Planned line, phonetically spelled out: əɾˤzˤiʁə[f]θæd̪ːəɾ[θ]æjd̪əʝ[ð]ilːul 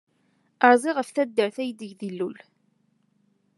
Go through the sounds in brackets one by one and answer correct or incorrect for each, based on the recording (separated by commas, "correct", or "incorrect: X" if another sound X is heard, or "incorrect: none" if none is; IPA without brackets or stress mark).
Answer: correct, correct, correct